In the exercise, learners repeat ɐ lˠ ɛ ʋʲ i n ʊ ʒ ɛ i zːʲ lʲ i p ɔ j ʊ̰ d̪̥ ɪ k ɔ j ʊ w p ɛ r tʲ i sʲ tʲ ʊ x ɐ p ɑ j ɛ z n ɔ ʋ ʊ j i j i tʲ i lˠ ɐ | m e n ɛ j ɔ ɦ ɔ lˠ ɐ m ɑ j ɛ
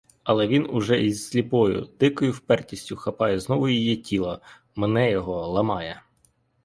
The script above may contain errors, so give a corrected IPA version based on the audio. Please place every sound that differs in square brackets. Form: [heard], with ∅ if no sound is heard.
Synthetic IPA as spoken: ɐ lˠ ɛ ʋʲ i n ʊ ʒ ɛ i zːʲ lʲ i p ɔ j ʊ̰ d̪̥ ɪ k ɔ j ʊ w p ɛ r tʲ i sʲ tʲ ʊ x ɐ p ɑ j ɛ z n ɔ ʋ ʊ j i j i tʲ i lˠ ɐ | m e n ɛ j ɔ ɦ ɔ lˠ ɐ m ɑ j ɛ